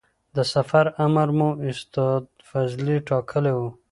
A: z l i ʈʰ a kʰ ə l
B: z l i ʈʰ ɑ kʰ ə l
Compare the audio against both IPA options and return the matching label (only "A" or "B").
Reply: B